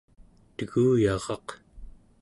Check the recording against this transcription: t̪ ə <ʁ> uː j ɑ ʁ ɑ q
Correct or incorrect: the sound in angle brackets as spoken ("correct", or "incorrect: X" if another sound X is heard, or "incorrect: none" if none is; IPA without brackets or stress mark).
incorrect: ɣ